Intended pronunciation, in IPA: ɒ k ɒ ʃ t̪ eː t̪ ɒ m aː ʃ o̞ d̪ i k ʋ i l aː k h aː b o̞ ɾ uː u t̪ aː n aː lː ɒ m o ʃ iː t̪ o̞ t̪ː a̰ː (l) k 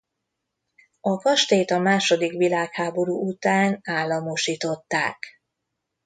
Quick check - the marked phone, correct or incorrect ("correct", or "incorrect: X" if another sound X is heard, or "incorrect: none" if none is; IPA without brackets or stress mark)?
incorrect: none